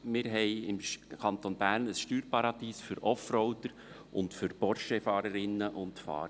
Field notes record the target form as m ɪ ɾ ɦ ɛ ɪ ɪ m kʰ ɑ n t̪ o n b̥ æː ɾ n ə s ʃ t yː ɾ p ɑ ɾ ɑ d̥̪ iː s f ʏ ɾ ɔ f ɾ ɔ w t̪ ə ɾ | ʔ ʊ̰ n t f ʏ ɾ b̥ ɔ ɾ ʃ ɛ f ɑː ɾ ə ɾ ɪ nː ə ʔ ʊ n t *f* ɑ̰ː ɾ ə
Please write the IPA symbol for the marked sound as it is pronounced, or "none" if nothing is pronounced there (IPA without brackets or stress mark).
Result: f